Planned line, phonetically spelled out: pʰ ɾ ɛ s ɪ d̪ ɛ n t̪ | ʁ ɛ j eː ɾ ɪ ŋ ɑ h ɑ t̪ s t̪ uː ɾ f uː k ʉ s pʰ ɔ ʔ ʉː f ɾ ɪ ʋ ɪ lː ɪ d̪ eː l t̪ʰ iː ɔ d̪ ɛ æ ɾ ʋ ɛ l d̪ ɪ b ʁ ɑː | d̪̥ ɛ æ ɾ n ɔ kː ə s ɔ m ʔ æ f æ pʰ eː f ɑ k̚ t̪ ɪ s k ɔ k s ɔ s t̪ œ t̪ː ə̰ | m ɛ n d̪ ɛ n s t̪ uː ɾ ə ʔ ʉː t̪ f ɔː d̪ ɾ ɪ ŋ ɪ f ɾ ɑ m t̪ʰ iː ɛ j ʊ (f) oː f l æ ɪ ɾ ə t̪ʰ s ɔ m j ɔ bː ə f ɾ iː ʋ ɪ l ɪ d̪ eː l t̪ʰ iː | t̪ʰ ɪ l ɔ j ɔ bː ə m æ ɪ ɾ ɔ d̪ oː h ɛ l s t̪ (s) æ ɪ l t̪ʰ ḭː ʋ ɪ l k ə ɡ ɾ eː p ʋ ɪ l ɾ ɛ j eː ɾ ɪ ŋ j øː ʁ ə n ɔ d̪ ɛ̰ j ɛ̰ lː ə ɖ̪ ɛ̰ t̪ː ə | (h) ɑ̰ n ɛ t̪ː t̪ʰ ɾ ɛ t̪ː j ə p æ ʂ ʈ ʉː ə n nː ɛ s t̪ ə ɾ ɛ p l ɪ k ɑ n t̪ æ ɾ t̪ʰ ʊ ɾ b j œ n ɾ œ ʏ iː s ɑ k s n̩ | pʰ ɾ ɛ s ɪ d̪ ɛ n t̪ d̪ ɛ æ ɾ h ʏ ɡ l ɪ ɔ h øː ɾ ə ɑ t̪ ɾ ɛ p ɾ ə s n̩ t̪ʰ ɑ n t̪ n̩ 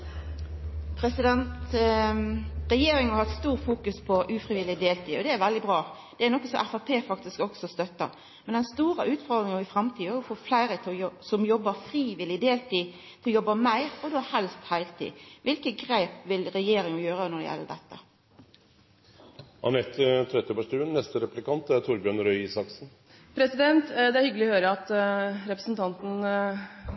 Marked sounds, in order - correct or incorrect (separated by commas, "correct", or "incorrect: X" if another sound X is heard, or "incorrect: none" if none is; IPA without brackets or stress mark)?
correct, incorrect: h, correct